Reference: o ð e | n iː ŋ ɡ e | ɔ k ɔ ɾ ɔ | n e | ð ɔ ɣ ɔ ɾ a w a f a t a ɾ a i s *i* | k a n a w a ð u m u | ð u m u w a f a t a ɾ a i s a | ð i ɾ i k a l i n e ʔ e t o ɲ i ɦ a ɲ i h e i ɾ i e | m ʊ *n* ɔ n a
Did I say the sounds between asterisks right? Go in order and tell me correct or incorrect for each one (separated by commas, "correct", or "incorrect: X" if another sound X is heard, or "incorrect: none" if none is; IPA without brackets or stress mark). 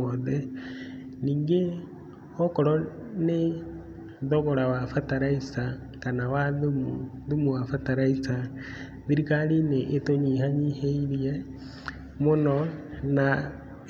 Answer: incorrect: a, correct